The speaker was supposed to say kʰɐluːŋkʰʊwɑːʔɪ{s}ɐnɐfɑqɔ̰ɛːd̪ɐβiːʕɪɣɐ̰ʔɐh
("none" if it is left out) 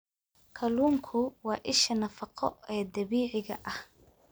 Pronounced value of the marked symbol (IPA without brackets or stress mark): ʃ